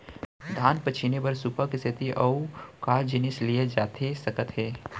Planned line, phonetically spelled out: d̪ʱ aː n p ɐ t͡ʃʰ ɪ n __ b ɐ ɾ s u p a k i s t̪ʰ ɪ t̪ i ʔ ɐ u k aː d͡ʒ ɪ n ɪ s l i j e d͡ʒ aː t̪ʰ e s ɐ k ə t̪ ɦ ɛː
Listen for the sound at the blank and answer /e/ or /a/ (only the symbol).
e